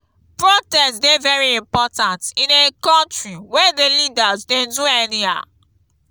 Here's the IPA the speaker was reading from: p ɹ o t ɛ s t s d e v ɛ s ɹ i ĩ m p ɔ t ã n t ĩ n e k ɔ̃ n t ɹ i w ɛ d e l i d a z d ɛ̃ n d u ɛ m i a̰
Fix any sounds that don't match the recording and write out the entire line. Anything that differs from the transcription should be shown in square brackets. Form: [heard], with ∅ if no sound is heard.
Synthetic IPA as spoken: p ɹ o t ɛ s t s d e v ɛ [∅] ɹ i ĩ m p ɔ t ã n t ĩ n e k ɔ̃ n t ɹ i w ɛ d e l i d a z d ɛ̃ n d u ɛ [n] i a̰